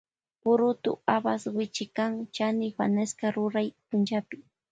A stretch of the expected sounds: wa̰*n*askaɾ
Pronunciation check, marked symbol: correct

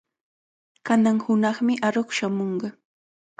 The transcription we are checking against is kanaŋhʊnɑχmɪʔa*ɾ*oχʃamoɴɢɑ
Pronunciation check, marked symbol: correct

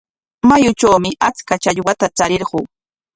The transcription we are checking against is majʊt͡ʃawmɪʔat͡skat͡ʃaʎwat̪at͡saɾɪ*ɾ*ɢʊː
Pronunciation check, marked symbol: correct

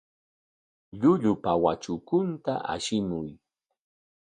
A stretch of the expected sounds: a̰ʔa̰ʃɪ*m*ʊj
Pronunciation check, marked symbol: correct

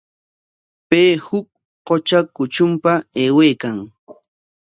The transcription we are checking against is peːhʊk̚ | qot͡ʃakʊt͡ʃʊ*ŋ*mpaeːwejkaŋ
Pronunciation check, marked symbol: incorrect: none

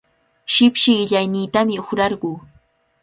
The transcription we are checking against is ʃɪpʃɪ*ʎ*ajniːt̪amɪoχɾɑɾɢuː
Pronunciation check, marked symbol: correct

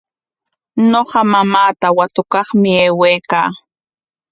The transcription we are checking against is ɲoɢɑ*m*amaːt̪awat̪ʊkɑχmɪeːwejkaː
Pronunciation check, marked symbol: correct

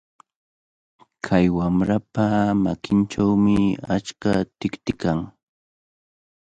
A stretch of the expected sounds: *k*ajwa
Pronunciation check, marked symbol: incorrect: kʰ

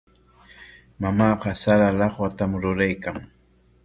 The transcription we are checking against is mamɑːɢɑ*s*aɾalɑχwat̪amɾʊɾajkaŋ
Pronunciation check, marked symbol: correct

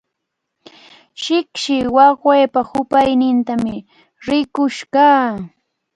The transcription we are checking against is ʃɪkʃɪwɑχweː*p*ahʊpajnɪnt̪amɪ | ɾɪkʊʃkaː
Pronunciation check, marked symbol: correct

